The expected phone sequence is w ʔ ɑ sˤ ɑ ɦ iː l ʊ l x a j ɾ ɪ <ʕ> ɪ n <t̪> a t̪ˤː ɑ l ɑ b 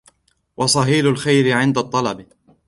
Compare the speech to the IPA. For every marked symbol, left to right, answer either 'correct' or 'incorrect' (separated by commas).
correct, incorrect